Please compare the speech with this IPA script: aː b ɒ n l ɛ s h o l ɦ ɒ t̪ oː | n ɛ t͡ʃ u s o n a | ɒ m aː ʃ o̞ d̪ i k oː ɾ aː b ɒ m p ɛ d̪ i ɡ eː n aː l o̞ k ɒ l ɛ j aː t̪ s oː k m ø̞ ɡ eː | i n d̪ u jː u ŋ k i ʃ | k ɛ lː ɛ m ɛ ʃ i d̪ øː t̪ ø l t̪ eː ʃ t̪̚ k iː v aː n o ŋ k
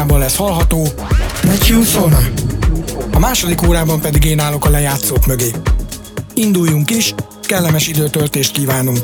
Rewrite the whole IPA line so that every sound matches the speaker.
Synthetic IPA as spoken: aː b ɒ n l ɛ s h ɒ l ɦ ɒ t̪ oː | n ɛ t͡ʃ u s o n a | ɒ m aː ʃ o̞ d̪ i k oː ɾ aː b ɒ m p ɛ d̪ i ɡ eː n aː l o̞ k ɒ l ɛ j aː t̪ s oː k m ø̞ ɡ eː | i n d̪ u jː u ŋ k i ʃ | k ɛ lː ɛ m ɛ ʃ i d̪ øː t̪ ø l t̪ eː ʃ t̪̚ k iː v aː n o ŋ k